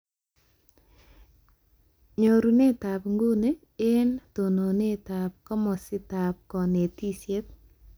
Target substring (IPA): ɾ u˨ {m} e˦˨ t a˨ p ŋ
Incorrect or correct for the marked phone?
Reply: incorrect: n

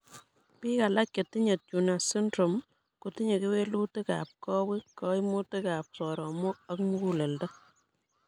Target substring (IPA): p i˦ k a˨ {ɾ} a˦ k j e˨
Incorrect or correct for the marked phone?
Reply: incorrect: l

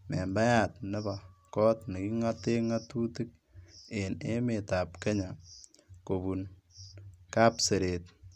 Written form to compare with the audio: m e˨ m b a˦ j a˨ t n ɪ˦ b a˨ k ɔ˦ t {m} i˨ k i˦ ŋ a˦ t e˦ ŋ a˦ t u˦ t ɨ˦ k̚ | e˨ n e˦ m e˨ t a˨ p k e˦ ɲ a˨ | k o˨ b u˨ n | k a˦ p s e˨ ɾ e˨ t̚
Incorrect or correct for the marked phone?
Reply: incorrect: n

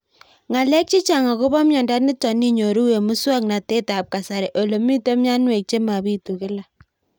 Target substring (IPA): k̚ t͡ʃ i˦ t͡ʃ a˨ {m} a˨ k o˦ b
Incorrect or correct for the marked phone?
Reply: incorrect: ŋ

